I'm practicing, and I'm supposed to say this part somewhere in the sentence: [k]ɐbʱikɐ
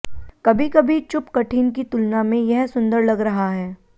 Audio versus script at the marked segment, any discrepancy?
no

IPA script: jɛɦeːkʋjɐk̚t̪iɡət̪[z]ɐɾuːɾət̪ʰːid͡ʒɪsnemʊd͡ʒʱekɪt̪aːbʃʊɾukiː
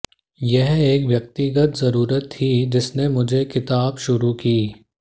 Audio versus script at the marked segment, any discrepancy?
no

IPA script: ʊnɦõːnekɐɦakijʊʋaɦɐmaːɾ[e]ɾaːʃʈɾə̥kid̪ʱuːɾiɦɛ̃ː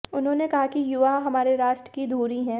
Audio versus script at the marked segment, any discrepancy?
no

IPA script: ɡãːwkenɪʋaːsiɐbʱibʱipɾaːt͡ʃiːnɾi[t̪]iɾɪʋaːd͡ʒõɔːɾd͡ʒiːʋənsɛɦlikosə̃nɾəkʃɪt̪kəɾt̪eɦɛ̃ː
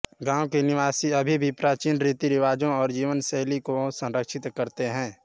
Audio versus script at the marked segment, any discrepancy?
no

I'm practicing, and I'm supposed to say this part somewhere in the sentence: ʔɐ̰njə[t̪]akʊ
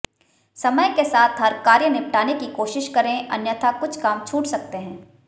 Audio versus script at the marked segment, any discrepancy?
yes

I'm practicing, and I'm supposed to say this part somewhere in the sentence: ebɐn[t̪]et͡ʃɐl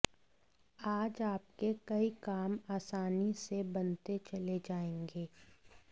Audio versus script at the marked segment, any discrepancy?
no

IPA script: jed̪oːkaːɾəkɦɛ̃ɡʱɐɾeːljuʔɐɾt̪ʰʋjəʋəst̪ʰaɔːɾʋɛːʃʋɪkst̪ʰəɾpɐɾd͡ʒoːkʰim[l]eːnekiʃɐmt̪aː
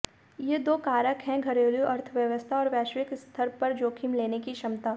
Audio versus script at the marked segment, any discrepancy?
no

